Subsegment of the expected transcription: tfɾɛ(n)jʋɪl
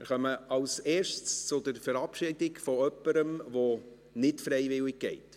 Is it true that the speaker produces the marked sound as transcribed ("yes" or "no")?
no